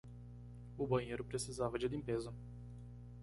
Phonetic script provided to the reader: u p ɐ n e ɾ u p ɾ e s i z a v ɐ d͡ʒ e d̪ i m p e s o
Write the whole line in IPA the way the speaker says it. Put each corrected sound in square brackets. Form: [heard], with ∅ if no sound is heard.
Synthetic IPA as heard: u [b] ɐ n e ɾ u p ɾ e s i z a v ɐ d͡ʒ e d̪ i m p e [z] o

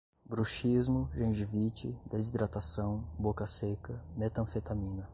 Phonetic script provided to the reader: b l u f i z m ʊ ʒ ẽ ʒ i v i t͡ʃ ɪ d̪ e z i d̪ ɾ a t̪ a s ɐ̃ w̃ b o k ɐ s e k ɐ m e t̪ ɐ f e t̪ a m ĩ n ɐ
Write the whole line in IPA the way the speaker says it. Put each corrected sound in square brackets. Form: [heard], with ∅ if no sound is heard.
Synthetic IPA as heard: b [ɾ] u [ʃ] i z m ʊ ʒ ẽ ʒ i v i t͡ʃ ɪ d̪ e z i d̪ ɾ a t̪ a s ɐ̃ w̃ b o k ɐ s e k ɐ m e t̪ [ɐ̃] f e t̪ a m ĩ n ɐ

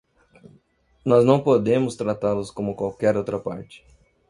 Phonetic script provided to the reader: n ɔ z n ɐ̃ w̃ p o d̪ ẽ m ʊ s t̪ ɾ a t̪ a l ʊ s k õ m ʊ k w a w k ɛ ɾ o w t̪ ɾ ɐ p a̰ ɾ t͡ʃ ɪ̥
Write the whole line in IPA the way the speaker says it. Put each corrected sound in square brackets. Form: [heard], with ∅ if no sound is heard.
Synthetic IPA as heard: n ɔ z n ɐ̃ w̃ p o d̪ ẽ m ʊ s t̪ ɾ a t̪ a l ʊ s k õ m ʊ k w a w k ɛ ɾ o w t̪ ɾ ɐ p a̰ ɾ t͡ʃ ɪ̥

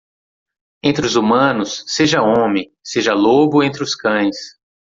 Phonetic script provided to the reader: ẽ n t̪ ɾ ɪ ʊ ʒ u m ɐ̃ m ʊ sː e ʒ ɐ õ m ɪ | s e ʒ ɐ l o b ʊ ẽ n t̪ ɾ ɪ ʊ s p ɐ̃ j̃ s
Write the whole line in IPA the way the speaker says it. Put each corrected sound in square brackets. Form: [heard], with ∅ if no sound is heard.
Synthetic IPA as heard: ẽ n t̪ ɾ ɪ ʊ [z] u m ɐ̃ [n] ʊ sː e ʒ ɐ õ m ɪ | s e ʒ ɐ l o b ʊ ẽ n t̪ ɾ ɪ ʊ s [k] ɐ̃ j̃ s

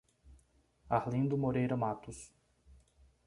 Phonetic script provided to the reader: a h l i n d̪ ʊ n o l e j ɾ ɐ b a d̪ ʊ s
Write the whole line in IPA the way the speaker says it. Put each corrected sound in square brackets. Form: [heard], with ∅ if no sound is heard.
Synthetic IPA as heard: a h l [ĩ] n d̪ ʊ [m] o [ɾ] e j ɾ ɐ [m] a [t̪] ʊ s

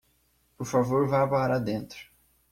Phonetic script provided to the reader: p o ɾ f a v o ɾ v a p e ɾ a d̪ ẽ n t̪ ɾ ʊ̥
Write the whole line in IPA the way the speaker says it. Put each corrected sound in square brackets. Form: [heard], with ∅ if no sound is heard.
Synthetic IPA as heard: p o ɾ f a v o ɾ v a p [a] ɾ a d̪ ẽ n t̪ ɾ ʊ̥

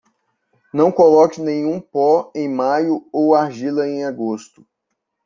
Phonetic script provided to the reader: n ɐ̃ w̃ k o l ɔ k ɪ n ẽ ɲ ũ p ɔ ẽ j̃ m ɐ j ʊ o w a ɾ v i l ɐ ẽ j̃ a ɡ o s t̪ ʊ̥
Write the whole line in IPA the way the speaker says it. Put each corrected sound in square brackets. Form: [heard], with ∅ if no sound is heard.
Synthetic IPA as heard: n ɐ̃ w̃ k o l ɔ k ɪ n ẽ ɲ ũ p ɔ ẽ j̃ m [a] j ʊ o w a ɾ [ʒ] i l ɐ ẽ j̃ a ɡ o s t̪ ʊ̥

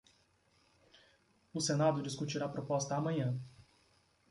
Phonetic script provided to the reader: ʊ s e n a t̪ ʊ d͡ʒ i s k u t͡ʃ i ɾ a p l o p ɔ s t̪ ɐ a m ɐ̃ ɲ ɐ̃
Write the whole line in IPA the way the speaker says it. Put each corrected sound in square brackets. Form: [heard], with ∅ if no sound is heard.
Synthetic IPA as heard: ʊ s e n a [d̪] ʊ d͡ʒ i s k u t͡ʃ i ɾ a p [ɾ] o p ɔ s t̪ ɐ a m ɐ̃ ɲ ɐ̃

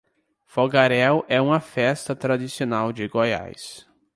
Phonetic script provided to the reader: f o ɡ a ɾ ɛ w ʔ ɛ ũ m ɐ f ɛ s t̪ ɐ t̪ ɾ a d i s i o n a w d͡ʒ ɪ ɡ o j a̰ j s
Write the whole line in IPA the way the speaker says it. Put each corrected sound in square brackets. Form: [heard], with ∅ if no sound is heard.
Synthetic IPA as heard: f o ɡ a ɾ ɛ w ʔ ɛ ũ m ɐ f ɛ s t̪ ɐ t̪ ɾ a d i s i o n a w d͡ʒ ɪ ɡ o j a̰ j s

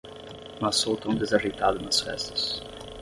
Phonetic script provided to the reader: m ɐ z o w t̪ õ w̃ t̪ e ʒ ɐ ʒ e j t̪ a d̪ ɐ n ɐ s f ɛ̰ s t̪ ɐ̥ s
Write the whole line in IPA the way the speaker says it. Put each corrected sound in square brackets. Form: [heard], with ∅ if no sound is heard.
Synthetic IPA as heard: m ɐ [s] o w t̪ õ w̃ [d̪] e [z] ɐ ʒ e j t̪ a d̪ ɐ n ɐ s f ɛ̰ s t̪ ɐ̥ s

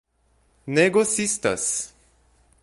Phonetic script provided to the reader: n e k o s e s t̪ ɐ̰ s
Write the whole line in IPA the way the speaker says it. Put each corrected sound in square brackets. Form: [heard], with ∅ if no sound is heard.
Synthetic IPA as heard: n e [ɡ] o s [i] s t̪ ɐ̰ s

